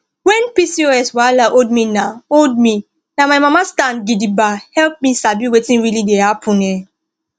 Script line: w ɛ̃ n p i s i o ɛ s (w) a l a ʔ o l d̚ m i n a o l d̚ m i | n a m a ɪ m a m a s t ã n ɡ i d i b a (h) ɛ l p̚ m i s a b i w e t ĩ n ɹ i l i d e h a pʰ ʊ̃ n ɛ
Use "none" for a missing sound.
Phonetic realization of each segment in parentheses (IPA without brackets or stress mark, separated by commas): w, h